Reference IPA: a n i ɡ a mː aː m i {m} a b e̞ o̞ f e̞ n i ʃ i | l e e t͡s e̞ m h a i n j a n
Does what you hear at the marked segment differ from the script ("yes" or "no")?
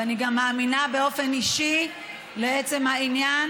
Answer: yes